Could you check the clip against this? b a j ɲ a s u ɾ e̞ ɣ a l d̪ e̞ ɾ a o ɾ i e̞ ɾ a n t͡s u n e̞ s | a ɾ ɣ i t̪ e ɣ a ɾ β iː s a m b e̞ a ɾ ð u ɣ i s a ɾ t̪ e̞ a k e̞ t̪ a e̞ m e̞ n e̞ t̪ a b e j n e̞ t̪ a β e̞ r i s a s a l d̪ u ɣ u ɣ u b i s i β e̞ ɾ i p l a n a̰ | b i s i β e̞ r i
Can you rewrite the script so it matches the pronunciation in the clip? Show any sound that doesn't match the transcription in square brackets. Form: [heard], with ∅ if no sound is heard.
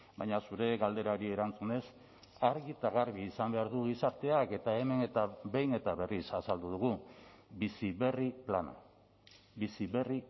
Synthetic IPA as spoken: b a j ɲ a s u ɾ e̞ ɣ a l d̪ e̞ ɾ a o ɾ i e̞ ɾ a n t͡s u n e̞ s | a ɾ ɣ i t̪ [a] ɣ a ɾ β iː s a m b e̞ a ɾ ð u ɣ i s a ɾ t̪ e̞ a k e̞ t̪ a e̞ m e̞ n e̞ t̪ a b e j n e̞ t̪ a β e̞ r i s a s a l d̪ u [ð] u ɣ u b i s i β e̞ [r] i p l a n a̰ | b i s i β e̞ r i

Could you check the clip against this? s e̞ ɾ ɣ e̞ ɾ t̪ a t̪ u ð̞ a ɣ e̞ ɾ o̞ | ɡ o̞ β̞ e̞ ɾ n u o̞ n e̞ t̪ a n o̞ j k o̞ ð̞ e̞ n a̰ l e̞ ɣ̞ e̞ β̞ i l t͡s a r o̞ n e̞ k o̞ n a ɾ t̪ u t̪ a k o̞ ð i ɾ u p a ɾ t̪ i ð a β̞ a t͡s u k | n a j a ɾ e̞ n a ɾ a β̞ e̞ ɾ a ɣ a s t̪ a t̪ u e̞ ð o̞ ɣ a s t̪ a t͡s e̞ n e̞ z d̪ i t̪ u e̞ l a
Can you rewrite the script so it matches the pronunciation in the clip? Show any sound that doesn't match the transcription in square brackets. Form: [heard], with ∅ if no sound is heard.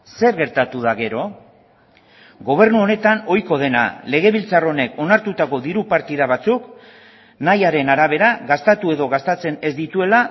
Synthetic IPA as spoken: s e̞ ɾ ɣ e̞ ɾ t̪ a t̪ u ð̞ a ɣ e̞ ɾ o̞ | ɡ o̞ β̞ e̞ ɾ n u o̞ n e̞ t̪ a n o̞ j k o̞ ð̞ e̞ n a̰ l e̞ ɣ̞ e̞ β̞ i l t͡s a r o̞ n e̞ k o̞ n a ɾ t̪ u t̪ a k o̞ ð i ɾ u p a ɾ t̪ i ð a β̞ a t͡s u k | n a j a ɾ e̞ n a ɾ a β̞ e̞ ɾ a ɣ a s t̪ a t̪ u e̞ ð o̞ ɣ a s t̪ a t͡s e̞ n e̞ z d̪ i t̪ u e̞ l a

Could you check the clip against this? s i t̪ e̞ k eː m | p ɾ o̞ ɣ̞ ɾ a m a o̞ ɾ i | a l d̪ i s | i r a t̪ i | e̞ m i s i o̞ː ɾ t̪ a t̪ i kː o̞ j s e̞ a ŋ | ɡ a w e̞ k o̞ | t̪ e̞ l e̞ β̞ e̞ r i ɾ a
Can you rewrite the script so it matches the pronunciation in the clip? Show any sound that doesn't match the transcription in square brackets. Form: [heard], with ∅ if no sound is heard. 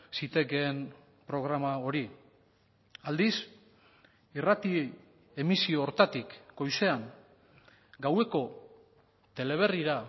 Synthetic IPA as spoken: s i t̪ e̞ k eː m | p ɾ o̞ ɣ̞ ɾ a m a o̞ ɾ i | a l d̪ i s | i r a t̪ i | e̞ m i s i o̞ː ɾ t̪ a t̪ i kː o̞ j s e̞ a ŋ | ɡ a w e̞ k o̞ | t̪ e̞ l e̞ β̞ e̞ r i ɾ a

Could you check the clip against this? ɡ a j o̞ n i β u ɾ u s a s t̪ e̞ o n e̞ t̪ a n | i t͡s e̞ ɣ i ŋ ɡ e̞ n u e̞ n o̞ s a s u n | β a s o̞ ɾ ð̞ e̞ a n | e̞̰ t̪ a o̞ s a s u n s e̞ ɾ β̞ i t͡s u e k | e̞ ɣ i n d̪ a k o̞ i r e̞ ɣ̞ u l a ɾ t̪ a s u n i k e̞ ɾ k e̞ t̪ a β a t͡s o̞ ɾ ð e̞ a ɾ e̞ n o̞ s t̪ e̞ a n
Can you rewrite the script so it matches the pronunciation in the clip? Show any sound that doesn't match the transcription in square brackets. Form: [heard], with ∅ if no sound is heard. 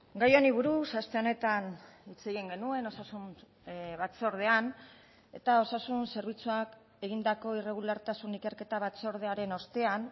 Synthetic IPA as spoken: ɡ a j o̞ n i β u ɾ u s a s t̪ e̞ o n e̞ t̪ a n | i t͡s e̞ ɣ i ŋ ɡ e̞ n u e̞ n o̞ s a s u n | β a [t͡s] o̞ ɾ ð̞ e̞ a n | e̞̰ t̪ a o̞ s a s u n s e̞ ɾ β̞ i t͡s u [a] k | e̞ ɣ i n d̪ a k o̞ i r e̞ ɣ̞ u l a ɾ t̪ a s u n i k e̞ ɾ k e̞ t̪ a β a t͡s o̞ ɾ ð e̞ a ɾ e̞ n o̞ s t̪ e̞ a n

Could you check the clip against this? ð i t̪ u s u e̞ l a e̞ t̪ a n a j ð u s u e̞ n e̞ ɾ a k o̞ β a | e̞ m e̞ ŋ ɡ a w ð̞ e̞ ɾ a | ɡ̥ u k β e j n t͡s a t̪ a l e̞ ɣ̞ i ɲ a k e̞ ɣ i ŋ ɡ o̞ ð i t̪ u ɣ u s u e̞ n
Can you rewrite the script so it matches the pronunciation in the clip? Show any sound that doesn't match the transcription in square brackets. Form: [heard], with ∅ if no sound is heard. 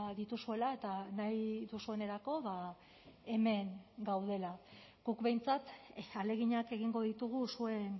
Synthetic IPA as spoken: ð i t̪ u s u e̞ l a e̞ t̪ a n a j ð u s u e̞ n e̞ ɾ a k o̞ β a | e̞ m e̞ ŋ ɡ a w ð̞ e̞ [l] a | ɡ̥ u k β e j n t͡s a t̪ a l e̞ ɣ̞ i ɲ a k e̞ ɣ i ŋ ɡ o̞ ð i t̪ u ɣ u s u e̞ n

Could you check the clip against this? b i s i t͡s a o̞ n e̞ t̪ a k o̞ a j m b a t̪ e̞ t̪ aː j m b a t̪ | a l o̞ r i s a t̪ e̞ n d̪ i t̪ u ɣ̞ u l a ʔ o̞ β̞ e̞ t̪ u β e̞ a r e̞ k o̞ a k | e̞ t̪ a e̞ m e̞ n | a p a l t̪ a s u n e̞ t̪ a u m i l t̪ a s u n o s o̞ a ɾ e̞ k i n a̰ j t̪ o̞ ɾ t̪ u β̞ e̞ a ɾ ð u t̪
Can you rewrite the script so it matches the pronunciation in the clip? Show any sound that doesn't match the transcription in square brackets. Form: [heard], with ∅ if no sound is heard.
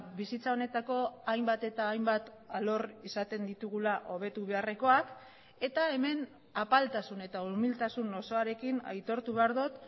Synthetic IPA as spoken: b i s i t͡s a o̞ n e̞ t̪ a k o̞ a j m b a t̪ e̞ t̪ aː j m b a t̪ | a l o̞ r i s a t̪ e̞ n d̪ i t̪ u ɣ̞ u l a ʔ o̞ β̞ e̞ t̪ u β e̞ a r e̞ k o̞ a k | e̞ t̪ a e̞ m e̞ n | a p a l t̪ a s u n e̞ t̪ a u m i l t̪ a s u n o s o̞ a ɾ e̞ k i n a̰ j t̪ o̞ ɾ t̪ u β̞ e̞ a ɾ ð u t̪

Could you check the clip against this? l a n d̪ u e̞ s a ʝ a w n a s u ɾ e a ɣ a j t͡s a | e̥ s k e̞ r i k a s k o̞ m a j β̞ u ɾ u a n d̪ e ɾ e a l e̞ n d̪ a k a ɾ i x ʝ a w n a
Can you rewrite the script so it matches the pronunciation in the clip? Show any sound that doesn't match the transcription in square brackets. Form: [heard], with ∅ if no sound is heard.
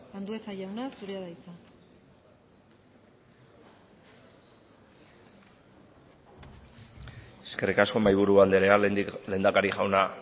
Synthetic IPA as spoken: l a n d̪ u e̞ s a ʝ a w n a s u ɾ e a [ð] a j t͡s a | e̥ s k e̞ r i k a s k o̞ m a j β̞ u ɾ u a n d̪ e ɾ e a l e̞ n d̪ a k a ɾ i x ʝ a w n a

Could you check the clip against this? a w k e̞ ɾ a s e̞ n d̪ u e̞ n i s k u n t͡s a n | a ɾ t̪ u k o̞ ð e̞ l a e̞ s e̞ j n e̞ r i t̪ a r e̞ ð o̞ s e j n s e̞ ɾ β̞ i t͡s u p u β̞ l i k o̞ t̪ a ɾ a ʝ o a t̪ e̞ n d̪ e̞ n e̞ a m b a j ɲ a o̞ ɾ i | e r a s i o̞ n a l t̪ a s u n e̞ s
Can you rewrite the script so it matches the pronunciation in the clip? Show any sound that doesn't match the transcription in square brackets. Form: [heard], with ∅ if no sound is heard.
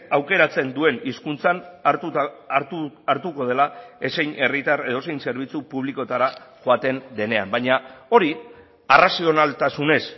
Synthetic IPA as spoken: a w k e̞ ɾ a [t͡s] e̞ n d̪ u e̞ n i s k u n t͡s a n | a ɾ t̪ u k o̞ ð e̞ l a e̞ s e̞ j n e̞ r i t̪ a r e̞ ð o̞ s e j n s e̞ ɾ β̞ i t͡s u p u β̞ l i k o̞ t̪ a ɾ a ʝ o a t̪ e̞ n d̪ e̞ n e̞ a m b a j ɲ a o̞ ɾ i | [a] r a s i o̞ n a l t̪ a s u n e̞ s

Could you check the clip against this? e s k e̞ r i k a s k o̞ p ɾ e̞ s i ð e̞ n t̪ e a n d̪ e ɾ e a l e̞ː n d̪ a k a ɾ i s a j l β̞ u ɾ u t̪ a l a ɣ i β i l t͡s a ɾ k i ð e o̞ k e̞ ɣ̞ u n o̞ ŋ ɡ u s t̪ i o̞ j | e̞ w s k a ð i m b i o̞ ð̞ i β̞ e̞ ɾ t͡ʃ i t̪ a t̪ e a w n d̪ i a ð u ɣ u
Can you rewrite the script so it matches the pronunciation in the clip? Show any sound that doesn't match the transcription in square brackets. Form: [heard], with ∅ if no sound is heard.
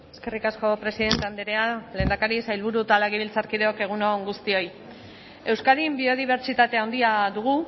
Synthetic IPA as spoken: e s k e̞ r i k a s k o̞ p ɾ e̞ s i ð e̞ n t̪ e a n d̪ e ɾ e a l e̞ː n d̪ a k a ɾ i s a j l β̞ u ɾ u t̪ a l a ɣ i β i l t͡s a ɾ k i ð e o̞ k e̞ ɣ̞ u n o̞ ŋ ɡ u s t̪ i o̞ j | e̞ w s k a ð i m b i o̞ ð̞ i β̞ e̞ ɾ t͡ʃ i t̪ a t̪ e a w n d̪ i a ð u ɣ u

